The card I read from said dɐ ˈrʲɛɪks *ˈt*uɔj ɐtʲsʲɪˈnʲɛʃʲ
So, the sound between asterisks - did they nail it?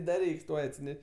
yes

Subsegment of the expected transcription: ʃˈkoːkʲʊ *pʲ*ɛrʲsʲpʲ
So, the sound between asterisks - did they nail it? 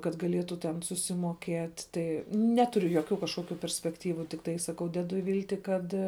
yes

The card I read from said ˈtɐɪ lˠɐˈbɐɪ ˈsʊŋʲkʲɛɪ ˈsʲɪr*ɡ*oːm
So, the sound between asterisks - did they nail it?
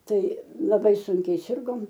yes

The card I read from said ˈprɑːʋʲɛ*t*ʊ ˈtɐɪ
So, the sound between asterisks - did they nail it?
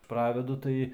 no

